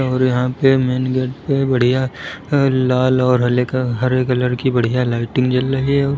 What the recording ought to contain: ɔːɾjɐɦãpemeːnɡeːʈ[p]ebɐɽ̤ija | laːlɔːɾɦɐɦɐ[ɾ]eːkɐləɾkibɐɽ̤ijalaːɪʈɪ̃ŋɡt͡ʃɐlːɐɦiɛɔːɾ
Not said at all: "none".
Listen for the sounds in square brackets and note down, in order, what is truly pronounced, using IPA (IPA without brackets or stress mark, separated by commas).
p, ɾ